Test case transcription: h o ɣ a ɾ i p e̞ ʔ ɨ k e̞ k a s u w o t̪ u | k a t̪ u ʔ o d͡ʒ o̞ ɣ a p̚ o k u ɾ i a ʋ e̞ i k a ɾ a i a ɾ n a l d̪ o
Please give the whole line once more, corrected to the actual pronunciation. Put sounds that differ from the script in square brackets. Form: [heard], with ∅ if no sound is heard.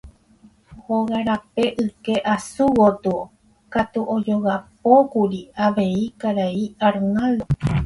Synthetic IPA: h o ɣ a ɾ [a] p e̞ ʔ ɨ k e̞ [ʔ] a s u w o t̪ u | k a t̪ u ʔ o d͡ʒ o̞ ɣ a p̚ o k u ɾ i a ʋ e̞ i k a ɾ a i a ɾ n a l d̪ o